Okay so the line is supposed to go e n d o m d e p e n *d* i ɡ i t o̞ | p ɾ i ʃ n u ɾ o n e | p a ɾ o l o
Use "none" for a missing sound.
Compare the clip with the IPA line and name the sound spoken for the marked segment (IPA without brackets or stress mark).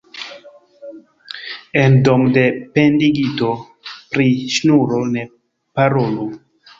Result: d